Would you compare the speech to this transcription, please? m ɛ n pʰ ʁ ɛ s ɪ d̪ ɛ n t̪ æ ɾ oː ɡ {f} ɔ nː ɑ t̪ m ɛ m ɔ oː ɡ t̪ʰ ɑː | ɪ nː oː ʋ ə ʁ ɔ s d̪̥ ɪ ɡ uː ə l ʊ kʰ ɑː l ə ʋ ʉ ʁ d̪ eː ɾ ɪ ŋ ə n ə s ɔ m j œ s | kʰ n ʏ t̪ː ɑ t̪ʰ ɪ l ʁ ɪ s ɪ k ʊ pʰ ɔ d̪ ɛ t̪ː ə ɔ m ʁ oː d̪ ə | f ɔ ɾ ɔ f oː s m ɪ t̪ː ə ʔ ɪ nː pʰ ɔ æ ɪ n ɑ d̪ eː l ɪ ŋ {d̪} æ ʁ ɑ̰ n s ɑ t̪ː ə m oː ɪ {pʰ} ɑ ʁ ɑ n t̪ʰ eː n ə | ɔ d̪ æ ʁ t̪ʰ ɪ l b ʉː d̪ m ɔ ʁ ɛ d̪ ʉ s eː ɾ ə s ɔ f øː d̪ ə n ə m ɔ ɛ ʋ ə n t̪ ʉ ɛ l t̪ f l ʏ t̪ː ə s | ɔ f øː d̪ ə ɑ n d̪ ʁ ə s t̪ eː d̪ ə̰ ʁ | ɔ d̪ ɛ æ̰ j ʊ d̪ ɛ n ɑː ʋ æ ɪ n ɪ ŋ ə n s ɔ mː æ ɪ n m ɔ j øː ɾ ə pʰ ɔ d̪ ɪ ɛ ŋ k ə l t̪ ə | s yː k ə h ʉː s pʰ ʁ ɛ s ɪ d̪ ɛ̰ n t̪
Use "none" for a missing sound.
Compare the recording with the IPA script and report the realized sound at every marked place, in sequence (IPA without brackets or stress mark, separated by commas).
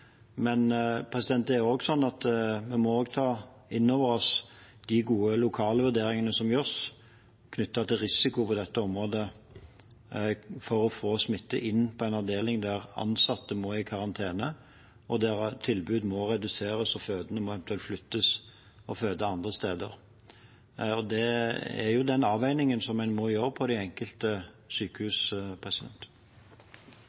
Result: s, d̪, kʰ